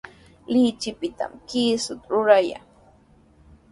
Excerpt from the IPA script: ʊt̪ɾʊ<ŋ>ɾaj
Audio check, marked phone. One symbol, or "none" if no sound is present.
none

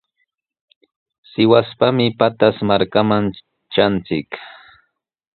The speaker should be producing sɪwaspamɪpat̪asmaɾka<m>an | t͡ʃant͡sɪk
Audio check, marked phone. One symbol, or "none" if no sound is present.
m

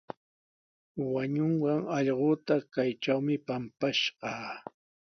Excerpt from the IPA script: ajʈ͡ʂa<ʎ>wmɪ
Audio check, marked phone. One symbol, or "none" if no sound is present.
none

